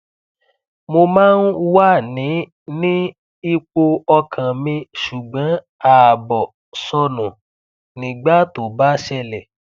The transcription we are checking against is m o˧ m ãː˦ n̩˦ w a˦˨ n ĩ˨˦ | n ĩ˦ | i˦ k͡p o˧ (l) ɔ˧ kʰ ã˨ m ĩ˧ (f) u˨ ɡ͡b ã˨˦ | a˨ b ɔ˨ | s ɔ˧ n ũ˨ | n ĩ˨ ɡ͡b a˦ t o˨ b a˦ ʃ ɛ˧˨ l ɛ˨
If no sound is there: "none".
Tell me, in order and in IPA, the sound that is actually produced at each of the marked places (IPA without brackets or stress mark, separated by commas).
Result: none, ʃ